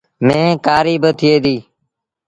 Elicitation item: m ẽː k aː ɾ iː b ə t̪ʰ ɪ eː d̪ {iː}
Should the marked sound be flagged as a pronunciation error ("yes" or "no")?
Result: no